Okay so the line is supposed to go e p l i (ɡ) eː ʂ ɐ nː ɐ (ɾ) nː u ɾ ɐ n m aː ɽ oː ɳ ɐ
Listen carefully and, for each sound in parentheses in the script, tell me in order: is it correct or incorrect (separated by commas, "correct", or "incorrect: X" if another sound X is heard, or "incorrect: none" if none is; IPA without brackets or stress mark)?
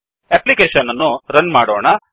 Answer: incorrect: k, incorrect: none